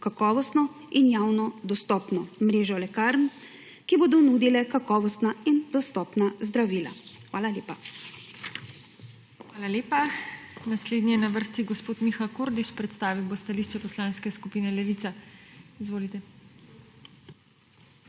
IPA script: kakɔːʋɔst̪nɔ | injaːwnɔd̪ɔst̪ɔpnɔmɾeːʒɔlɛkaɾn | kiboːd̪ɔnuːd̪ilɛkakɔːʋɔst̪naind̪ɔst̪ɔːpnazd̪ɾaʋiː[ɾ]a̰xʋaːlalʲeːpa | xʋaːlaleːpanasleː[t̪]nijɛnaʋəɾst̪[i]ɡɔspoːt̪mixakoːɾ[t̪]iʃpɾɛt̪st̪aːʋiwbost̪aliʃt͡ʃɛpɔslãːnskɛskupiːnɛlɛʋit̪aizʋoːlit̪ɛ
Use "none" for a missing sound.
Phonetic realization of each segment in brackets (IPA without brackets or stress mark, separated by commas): l, d̪, i, d̪